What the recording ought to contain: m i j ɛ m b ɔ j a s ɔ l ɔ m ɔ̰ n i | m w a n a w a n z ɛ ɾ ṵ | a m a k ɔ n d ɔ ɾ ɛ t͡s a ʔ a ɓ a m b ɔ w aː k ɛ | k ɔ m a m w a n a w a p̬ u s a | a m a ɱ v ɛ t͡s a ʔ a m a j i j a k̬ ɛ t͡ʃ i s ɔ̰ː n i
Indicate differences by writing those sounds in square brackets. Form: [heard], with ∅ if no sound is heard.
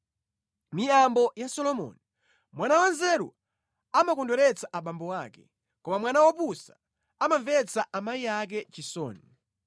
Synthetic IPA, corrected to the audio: m i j [a] m b ɔ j a s ɔ l ɔ m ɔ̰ n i | m w a n a w a n z ɛ ɾ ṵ | a m a k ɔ n d ɔ ɾ ɛ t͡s a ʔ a ɓ a m b ɔ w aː k ɛ | k ɔ m a m w a n a w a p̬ u s a | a m a ɱ v ɛ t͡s a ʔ a m a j i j a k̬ ɛ t͡ʃ i s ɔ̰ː n i